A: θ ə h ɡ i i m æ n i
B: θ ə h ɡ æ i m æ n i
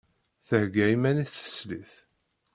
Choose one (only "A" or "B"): B